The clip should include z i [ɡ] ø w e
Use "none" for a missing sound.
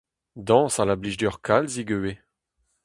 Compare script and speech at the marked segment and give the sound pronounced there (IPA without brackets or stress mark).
ɡ